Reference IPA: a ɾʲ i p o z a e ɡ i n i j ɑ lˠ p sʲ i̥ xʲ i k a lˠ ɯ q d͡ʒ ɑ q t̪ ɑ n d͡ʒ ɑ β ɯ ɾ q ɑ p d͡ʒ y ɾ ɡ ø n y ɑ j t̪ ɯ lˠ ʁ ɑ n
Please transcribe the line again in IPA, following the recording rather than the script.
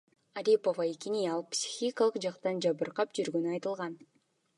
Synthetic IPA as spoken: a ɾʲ i p o v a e k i n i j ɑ lˠ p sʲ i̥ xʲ i k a lˠ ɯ q d͡ʒ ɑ q t̪ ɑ n d͡ʒ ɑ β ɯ ɾ q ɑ p d͡ʒ y ɾ ɡ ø n y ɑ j t̪ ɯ lˠ ʁ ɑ n